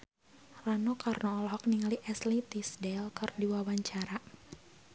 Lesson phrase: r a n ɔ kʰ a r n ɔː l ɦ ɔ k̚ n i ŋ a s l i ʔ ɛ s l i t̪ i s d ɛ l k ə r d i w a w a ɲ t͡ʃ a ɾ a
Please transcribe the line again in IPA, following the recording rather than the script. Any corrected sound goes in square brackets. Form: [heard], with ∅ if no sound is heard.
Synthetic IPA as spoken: r a n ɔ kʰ a r n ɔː l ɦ ɔ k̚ n i ŋ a [∅] l i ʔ ɛ s l i t̪ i s d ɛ l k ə r d i w a w a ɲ t͡ʃ a ɾ a